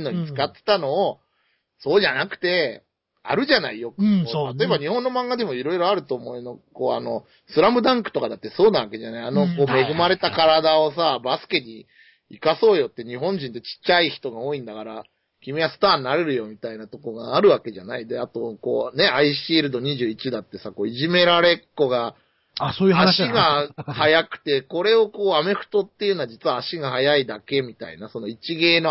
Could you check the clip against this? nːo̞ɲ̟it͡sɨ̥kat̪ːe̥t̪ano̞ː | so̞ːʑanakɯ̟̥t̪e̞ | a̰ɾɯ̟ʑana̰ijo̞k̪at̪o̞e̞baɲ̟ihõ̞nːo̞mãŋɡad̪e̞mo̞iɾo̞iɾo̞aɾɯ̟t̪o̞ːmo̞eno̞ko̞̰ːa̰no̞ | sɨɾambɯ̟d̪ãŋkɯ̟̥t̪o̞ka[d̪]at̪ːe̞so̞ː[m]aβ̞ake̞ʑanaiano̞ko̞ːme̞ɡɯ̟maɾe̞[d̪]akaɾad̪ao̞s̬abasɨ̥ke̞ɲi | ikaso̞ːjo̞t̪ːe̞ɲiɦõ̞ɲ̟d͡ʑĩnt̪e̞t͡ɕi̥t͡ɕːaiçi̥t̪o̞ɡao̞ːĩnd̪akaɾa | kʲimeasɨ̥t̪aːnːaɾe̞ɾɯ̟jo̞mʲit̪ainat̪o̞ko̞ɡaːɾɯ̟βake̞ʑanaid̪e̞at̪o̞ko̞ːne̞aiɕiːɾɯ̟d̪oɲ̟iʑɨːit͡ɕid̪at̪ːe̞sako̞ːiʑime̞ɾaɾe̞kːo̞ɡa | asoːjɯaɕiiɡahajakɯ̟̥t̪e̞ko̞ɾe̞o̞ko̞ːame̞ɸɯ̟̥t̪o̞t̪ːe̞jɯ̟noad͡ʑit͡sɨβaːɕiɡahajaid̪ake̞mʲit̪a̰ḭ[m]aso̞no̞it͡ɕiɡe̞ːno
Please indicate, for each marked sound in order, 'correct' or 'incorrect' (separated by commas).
correct, incorrect, incorrect, incorrect